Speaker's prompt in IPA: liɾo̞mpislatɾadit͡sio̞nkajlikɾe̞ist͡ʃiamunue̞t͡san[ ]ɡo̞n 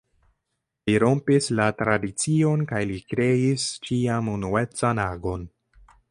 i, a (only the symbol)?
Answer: a